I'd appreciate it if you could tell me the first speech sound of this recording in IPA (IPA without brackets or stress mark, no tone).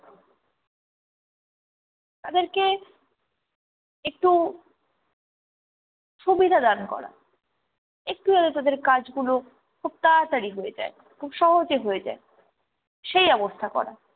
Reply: t̪